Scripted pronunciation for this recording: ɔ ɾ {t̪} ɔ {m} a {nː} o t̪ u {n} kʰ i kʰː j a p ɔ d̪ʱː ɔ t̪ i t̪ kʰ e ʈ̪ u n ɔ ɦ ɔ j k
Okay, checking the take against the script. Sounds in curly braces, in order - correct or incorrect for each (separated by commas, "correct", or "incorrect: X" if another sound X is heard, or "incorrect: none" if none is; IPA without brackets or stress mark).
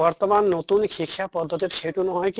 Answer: correct, correct, correct, correct